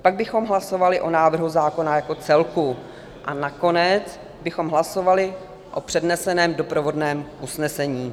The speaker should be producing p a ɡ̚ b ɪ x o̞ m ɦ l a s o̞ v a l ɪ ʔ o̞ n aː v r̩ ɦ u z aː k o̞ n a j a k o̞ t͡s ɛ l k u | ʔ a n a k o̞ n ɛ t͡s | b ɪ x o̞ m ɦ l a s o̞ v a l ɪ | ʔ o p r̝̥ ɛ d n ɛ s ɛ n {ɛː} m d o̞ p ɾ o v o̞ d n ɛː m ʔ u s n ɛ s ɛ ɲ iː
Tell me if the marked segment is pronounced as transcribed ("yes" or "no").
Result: yes